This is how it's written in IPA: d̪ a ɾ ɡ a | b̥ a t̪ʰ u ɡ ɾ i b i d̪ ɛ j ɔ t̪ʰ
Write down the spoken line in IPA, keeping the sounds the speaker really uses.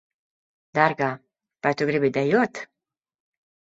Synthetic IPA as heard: d̪ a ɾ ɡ a | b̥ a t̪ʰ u ɡ ɾ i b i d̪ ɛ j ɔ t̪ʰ